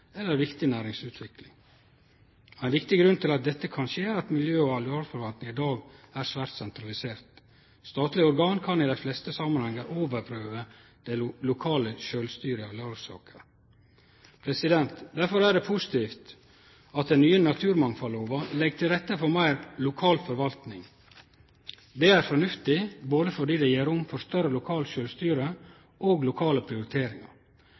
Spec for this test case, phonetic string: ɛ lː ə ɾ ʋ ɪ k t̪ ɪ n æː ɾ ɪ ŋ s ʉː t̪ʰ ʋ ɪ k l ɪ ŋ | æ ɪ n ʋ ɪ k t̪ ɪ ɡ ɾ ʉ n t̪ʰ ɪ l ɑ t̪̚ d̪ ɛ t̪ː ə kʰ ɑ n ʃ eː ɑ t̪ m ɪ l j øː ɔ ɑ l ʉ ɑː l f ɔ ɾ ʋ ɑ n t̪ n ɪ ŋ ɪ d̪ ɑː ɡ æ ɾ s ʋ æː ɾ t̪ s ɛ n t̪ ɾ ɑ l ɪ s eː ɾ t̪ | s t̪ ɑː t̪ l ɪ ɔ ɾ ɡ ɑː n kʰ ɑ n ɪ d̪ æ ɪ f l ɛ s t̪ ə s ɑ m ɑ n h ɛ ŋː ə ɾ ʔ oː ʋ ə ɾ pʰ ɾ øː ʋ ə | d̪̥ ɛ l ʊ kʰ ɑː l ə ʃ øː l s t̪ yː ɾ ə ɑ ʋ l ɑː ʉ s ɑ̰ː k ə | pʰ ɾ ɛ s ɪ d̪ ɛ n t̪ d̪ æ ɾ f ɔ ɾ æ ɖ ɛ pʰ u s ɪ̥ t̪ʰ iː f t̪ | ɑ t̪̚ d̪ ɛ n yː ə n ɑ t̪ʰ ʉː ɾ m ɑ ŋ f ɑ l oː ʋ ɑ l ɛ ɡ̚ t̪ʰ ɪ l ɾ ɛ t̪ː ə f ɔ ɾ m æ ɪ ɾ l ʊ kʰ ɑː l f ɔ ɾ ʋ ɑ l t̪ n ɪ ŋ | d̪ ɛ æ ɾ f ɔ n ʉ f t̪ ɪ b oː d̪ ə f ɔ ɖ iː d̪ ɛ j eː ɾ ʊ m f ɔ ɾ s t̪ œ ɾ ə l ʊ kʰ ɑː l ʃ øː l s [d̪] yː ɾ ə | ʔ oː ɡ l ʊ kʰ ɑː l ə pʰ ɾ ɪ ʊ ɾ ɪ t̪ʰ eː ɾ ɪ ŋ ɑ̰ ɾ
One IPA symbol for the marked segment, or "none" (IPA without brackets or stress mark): t̪